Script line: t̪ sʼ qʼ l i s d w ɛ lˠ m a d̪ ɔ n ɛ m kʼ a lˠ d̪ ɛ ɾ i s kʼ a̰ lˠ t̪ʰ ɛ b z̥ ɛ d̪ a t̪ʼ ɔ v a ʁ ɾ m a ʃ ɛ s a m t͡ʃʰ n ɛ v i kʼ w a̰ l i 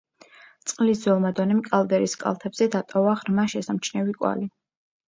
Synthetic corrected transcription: t̪ sʼ qʼ l i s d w ɛ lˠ m a d̪ ɔ n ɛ m kʼ a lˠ d̪ ɛ ɾ i s kʼ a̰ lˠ t̪ʰ ɛ b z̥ ɛ d̪ a t̪ʼ ɔ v a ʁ ɾ m a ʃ ɛ s a m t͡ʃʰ n ɛ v i kʼ w a̰ l i